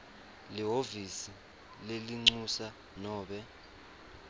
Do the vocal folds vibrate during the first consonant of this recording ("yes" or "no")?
yes